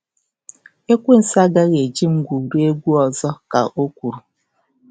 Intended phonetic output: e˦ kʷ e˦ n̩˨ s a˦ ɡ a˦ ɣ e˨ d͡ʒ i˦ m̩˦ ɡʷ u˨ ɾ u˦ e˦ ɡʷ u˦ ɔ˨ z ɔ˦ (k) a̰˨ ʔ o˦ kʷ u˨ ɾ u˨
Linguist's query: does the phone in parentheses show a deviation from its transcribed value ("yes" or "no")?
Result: no